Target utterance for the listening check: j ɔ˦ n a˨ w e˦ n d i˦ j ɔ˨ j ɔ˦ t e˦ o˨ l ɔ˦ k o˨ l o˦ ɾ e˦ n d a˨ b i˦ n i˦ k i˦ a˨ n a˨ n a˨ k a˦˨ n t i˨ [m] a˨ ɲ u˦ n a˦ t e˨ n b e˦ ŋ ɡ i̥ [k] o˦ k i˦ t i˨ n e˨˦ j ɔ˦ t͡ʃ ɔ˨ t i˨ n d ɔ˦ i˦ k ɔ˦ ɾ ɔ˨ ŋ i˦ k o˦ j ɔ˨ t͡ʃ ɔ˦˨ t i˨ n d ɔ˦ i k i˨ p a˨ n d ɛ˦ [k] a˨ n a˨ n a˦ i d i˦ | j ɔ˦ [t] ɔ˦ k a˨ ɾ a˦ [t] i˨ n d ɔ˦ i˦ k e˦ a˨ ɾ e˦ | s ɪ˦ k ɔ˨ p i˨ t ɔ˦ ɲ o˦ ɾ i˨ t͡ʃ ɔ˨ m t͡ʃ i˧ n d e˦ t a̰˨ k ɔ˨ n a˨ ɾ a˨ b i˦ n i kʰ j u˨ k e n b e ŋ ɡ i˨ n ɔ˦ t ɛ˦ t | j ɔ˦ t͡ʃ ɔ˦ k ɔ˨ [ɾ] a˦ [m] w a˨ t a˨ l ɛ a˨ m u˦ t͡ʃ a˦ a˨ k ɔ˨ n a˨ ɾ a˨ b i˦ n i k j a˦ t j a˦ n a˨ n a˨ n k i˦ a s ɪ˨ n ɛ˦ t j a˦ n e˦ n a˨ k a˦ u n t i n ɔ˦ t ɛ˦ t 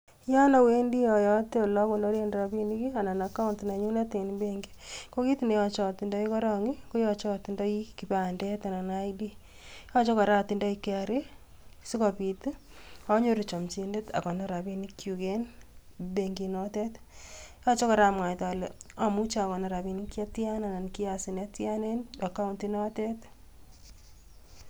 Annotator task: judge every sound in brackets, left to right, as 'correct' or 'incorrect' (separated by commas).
incorrect, correct, incorrect, incorrect, correct, correct, correct